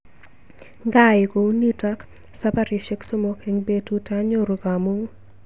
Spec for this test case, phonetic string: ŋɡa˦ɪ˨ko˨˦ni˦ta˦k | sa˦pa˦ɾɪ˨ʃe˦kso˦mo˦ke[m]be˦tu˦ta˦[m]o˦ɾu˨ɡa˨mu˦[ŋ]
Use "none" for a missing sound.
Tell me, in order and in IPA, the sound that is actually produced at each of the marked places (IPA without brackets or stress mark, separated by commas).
ŋ, ɲ, ŋ